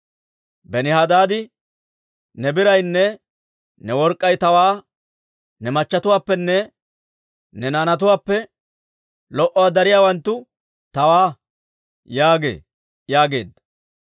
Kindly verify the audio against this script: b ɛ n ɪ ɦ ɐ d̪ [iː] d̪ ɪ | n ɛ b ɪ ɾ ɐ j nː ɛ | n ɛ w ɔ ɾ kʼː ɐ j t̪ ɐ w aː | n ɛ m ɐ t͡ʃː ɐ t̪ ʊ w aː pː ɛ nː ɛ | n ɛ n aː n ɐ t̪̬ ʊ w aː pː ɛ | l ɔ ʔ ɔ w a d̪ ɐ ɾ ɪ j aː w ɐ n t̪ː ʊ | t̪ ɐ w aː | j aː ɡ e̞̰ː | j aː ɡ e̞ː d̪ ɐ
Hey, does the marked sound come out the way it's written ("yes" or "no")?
no